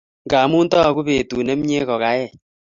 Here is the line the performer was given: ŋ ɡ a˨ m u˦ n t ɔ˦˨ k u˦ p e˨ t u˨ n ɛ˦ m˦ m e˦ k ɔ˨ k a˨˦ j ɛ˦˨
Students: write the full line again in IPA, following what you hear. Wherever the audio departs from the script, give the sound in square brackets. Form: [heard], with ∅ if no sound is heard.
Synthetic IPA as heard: ŋ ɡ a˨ m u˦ n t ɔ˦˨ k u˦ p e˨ t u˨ n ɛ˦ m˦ [ɲ] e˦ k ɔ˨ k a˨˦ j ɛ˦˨